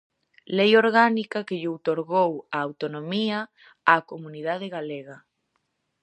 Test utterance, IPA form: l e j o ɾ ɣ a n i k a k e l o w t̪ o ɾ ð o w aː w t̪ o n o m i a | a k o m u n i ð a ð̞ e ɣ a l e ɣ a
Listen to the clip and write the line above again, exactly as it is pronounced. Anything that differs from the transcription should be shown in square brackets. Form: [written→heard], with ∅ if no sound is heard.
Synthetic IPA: l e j o ɾ ɣ a n i k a k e [l→ʎ] o w t̪ o ɾ [ð→ɣ] o w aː w t̪ o n o m i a | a k o m u n i ð a ð̞ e ɣ a l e ɣ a